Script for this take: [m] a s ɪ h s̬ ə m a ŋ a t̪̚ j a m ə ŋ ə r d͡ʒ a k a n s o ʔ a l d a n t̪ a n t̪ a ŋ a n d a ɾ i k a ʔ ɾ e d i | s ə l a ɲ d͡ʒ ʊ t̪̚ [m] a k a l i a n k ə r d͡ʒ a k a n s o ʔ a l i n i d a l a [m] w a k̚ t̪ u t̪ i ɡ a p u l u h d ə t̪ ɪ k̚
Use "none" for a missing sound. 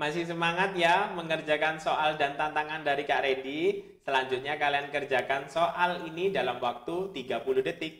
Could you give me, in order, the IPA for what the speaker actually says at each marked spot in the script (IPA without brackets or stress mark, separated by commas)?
m, ɲ, m